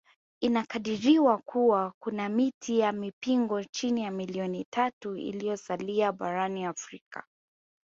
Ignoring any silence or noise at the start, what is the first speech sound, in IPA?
i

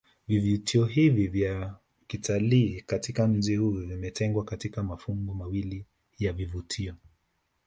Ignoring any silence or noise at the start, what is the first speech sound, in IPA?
v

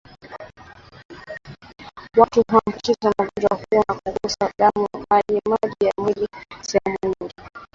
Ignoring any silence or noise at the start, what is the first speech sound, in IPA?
w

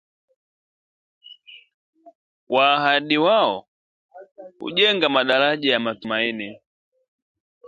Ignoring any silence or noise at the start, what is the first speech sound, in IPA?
w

